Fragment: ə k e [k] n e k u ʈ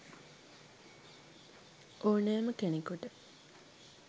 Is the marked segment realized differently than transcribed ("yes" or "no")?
yes